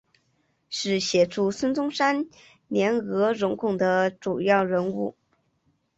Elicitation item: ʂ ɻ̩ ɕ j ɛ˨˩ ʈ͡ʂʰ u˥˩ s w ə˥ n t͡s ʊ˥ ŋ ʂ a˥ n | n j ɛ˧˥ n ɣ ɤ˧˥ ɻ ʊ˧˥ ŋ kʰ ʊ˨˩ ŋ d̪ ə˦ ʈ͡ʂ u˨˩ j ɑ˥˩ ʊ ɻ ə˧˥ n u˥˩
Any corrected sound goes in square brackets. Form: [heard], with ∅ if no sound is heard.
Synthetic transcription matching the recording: ʂ ɻ̩ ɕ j ɛ˨˩ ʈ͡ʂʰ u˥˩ s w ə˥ n t͡s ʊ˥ ŋ ʂ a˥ n | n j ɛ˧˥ n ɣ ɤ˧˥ ɻ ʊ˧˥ ŋ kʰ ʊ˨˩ ŋ d̪ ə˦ ʈ͡ʂ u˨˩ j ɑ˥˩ ʊ ɻ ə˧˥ n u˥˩

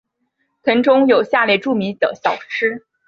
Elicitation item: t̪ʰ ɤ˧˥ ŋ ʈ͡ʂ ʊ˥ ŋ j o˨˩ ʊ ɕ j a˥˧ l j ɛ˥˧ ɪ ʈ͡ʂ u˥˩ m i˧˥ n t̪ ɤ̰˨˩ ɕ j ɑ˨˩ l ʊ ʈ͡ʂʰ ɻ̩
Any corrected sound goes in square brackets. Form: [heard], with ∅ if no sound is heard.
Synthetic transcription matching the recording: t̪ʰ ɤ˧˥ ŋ ʈ͡ʂ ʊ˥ ŋ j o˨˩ ʊ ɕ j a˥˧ l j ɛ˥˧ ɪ ʈ͡ʂ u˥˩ m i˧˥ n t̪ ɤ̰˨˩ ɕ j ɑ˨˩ [∅] ʊ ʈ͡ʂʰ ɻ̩

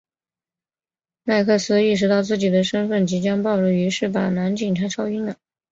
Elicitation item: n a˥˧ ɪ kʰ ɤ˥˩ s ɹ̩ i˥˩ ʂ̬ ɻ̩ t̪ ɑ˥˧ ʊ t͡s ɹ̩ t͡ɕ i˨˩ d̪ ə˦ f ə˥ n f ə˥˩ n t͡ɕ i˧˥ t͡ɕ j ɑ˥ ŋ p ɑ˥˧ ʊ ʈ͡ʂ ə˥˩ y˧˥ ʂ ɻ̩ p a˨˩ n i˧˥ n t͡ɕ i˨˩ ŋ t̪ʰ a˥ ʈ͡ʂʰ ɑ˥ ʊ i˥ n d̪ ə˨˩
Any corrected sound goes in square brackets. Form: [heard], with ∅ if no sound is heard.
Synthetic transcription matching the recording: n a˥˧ ɪ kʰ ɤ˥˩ s ɹ̩ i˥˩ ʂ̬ ɻ̩ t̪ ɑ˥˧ ʊ t͡s ɹ̩ t͡ɕ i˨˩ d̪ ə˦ [ʂ] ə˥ n f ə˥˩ n t͡ɕ i˧˥ t͡ɕ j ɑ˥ ŋ p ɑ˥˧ ʊ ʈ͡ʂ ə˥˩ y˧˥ ʂ ɻ̩ p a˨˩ n [a˧˥] n t͡ɕ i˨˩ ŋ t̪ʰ a˥ ʈ͡ʂʰ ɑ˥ ʊ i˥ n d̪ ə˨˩

